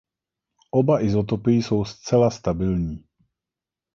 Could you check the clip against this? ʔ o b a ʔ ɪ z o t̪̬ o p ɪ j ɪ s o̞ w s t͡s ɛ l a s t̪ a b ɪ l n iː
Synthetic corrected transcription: ʔ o b a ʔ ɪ z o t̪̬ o p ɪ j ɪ s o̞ w s t͡s ɛ l a s t̪ a b ɪ l ɲ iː